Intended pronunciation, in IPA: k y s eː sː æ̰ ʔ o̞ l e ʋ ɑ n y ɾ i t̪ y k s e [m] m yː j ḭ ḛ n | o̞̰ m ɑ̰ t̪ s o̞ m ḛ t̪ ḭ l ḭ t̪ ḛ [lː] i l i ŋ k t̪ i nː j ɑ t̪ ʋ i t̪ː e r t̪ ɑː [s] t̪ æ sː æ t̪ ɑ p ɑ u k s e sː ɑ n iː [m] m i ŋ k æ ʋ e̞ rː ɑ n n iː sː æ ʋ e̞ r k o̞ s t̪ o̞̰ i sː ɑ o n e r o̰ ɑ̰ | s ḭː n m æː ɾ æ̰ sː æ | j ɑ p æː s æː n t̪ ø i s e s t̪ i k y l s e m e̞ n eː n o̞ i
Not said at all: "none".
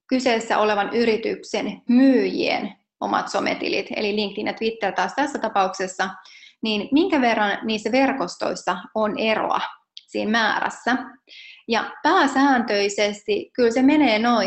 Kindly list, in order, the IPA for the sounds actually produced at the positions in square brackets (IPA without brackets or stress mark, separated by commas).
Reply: n, l, s, n